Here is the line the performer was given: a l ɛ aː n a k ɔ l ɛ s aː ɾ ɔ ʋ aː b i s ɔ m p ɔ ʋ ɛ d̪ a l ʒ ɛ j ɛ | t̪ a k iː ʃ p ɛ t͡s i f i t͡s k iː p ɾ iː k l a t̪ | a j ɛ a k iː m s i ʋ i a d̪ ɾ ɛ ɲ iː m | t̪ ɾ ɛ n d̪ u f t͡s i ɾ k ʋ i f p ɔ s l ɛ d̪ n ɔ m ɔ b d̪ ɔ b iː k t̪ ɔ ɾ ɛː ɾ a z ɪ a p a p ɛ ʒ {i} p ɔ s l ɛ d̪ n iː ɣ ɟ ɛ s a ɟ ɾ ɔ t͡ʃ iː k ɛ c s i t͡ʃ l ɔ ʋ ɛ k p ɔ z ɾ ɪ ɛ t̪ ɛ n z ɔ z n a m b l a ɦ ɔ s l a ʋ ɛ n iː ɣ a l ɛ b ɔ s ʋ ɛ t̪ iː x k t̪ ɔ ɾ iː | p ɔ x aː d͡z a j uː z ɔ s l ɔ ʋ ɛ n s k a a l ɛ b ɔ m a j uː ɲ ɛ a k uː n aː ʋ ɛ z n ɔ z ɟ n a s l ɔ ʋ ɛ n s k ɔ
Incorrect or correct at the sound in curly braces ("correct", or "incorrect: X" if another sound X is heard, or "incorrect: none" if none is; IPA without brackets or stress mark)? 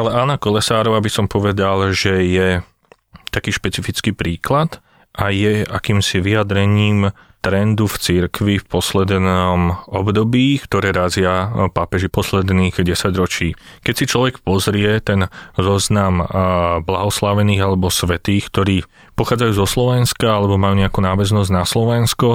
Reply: correct